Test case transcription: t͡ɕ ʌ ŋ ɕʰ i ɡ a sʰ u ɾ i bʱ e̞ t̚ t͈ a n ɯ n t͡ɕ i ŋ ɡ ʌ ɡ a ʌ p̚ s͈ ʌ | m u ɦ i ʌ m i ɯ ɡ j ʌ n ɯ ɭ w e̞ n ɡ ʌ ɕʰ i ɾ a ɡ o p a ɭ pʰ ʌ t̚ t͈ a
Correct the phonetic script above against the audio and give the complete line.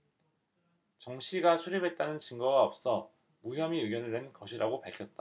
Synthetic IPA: t͡ɕ ʌ ŋ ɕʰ i ɡ a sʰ u ɾ i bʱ e̞ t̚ t͈ a n ɯ n t͡ɕ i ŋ ɡ ʌ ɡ a ʌ p̚ s͈ ʌ | m u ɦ j ʌ m i ɯ ɡ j ʌ n ɯ ɭ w e̞ n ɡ ʌ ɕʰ i ɾ a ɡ o p a ɭ kʰ ʌ t̚ t͈ a